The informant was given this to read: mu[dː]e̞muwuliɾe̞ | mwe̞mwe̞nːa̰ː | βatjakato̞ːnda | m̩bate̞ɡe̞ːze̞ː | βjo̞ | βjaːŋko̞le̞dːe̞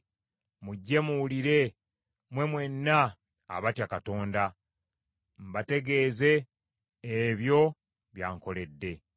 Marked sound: incorrect: ɟː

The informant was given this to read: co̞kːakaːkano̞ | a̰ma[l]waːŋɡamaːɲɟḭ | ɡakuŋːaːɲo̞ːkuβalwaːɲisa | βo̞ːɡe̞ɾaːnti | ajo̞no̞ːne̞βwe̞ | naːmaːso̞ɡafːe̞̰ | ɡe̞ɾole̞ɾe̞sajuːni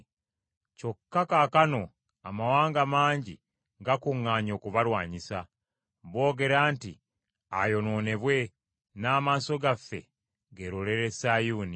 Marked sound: incorrect: none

